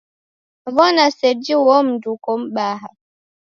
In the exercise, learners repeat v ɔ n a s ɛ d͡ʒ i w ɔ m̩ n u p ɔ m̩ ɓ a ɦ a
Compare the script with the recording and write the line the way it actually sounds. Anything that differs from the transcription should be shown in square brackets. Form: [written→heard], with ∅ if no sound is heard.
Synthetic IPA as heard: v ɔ n a s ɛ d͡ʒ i w ɔ m̩ [n→d] u [p→k] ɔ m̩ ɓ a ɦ a